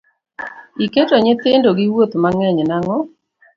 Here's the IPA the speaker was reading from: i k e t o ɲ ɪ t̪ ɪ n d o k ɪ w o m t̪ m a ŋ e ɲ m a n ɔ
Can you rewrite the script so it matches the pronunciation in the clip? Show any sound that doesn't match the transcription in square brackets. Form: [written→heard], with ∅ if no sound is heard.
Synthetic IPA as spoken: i k e t o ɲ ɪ t̪ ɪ n d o [k→ɡ] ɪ w o [m→∅] t̪ m a ŋ [e→ɛ] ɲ [m→n] a [n→ŋ] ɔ